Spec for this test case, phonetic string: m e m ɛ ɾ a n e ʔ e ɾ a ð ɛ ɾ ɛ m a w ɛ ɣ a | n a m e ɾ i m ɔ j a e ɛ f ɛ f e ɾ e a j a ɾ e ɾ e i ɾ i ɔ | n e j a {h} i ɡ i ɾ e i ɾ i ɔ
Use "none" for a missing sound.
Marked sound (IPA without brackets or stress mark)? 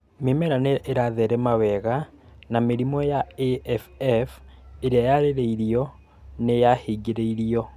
h